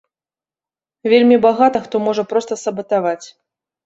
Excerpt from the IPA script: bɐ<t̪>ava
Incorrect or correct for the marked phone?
correct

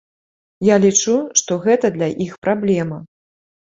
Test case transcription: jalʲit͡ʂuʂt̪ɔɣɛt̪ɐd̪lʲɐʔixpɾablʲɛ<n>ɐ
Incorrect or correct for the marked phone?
incorrect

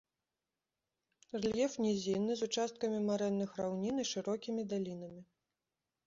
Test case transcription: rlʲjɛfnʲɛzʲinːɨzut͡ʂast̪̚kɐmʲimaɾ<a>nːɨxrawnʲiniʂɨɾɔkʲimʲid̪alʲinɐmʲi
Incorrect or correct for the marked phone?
incorrect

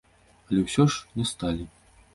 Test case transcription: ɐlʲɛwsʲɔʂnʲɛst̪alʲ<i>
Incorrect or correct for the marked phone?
correct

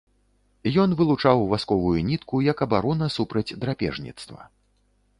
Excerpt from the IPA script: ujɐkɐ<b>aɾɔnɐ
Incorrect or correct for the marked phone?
correct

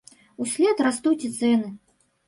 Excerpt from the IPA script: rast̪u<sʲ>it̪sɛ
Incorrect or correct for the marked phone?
incorrect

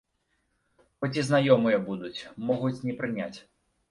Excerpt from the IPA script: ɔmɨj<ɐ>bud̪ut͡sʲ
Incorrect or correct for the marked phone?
correct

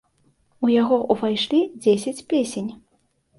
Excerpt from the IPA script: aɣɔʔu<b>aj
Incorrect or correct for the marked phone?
incorrect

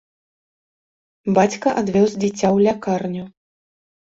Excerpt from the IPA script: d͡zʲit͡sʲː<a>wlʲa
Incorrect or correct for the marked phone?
correct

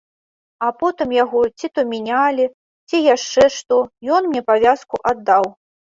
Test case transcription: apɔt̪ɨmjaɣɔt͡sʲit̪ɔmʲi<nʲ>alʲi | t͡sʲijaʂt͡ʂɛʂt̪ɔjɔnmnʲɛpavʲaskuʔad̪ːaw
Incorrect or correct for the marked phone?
correct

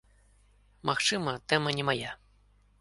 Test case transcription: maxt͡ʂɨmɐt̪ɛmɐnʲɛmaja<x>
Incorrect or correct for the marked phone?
incorrect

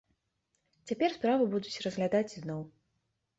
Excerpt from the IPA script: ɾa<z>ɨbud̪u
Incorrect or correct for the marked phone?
incorrect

